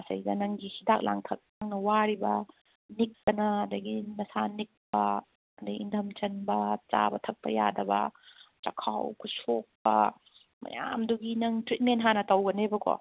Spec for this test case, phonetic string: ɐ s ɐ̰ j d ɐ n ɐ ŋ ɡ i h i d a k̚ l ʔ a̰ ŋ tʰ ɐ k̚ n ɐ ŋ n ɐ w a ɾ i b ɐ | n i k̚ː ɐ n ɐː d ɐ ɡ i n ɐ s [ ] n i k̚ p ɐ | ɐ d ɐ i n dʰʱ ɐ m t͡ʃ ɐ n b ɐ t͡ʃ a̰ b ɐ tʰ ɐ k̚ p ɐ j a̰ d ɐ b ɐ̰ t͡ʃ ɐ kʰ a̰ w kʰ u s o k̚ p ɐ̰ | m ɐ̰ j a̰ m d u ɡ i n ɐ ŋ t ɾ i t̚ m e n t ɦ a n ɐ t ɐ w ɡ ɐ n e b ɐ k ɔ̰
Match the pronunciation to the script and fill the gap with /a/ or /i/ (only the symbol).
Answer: a